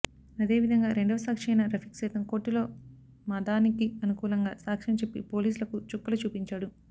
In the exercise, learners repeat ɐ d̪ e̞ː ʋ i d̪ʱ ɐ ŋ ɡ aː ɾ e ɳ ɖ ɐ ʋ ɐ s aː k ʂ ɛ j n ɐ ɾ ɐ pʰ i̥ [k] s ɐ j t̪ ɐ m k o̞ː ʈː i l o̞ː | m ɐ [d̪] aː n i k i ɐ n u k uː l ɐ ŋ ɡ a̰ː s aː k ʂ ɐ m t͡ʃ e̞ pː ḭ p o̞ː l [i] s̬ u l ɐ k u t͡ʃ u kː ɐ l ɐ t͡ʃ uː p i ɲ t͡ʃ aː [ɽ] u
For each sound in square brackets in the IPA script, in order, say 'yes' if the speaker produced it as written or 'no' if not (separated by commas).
yes, yes, no, yes